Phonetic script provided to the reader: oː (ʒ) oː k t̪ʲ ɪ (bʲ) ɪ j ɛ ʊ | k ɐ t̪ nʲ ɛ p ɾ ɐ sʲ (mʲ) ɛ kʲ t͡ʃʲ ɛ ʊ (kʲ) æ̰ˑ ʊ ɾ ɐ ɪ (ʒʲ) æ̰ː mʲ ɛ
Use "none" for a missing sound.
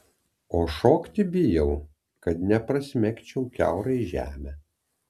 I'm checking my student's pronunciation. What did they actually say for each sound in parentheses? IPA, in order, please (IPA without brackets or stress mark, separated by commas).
ʃ, bʲ, mʲ, kʲ, ʒʲ